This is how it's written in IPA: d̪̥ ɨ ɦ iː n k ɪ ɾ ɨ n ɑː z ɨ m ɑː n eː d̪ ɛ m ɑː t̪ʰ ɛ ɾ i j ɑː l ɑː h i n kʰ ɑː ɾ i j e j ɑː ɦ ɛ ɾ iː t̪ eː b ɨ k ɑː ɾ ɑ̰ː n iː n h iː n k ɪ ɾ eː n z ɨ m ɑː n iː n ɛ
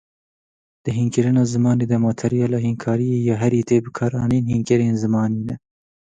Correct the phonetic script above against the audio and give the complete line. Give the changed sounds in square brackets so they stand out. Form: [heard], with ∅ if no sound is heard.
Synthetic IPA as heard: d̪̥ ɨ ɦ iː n k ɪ ɾ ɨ n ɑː z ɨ m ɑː n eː d̪ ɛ m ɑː t̪ʰ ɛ ɾ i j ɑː l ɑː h i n kʰ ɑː ɾ i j e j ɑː ɦ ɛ ɾ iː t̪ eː b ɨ [kʰ] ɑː ɾ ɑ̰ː n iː n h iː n k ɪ ɾ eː n z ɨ m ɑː n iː n ɛ